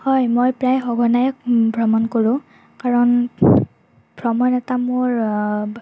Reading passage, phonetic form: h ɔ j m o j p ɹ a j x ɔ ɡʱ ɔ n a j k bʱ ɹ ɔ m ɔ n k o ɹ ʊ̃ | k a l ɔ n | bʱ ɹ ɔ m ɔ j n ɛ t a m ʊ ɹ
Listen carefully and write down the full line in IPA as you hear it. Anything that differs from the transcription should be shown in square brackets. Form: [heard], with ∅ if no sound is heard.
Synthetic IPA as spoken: h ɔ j m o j p ɹ a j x ɔ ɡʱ ɔ n a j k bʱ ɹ ɔ m ɔ n k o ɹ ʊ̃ | k a [ɹ] ɔ n | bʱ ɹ ɔ m ɔ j n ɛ t a m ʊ ɹ